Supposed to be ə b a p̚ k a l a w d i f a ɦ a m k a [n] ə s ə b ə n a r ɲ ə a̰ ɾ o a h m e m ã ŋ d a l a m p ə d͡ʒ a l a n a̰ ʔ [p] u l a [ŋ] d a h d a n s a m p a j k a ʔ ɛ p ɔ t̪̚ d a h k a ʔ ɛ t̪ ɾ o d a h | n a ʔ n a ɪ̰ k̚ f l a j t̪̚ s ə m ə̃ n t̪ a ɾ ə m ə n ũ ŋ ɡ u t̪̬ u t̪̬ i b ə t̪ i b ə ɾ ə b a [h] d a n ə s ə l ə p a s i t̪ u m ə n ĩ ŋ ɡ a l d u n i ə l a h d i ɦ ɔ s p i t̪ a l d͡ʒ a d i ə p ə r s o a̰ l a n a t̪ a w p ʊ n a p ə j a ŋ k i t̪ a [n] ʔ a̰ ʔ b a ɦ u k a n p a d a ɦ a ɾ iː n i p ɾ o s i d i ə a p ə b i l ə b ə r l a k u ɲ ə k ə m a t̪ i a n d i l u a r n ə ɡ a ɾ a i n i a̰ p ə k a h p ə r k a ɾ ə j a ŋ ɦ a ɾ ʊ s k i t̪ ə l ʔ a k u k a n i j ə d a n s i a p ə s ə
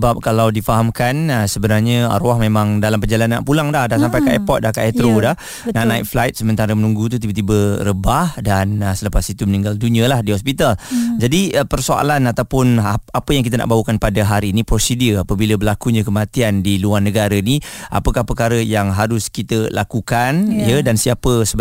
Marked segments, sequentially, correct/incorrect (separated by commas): correct, correct, correct, correct, correct